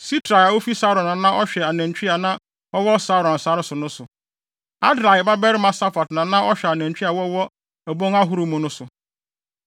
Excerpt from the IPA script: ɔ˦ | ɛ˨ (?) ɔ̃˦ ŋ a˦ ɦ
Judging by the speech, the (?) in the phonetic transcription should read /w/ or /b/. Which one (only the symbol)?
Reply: b